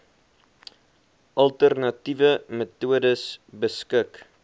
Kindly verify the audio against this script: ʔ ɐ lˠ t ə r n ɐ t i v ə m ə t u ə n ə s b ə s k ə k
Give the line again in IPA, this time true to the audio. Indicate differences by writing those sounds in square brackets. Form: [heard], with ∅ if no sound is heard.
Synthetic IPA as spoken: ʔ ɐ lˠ t ə r n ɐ t i v ə m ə t u ə [d] ə s b ə s k ə k